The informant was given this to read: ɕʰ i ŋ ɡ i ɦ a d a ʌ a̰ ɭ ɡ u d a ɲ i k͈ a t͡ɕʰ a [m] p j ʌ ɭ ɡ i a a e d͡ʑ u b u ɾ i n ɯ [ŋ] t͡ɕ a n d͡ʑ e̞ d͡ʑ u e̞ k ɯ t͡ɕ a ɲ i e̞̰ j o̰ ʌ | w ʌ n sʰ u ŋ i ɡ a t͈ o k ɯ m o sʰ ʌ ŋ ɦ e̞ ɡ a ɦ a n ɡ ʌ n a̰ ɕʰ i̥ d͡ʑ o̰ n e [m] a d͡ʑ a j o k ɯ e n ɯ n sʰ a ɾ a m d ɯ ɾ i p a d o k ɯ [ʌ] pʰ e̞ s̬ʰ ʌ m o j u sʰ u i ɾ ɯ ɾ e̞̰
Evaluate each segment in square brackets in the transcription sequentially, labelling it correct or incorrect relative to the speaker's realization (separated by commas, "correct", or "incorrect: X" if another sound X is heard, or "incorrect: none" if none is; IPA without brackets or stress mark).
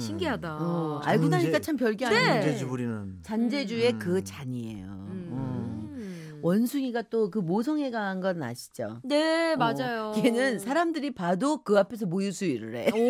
correct, incorrect: n, correct, incorrect: a